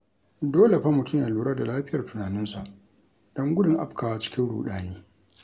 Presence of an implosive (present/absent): present